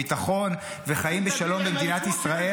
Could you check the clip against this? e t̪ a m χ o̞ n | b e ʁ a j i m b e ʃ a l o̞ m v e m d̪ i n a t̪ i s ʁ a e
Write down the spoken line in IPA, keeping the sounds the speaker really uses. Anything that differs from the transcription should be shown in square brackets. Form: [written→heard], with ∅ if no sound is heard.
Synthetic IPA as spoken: [e→i] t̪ a [m→∅] χ o̞ n | [b→v] e [ʁ→χ] a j i m b e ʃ a l o̞ m [v→b] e m d̪ i n a t̪ i s ʁ a e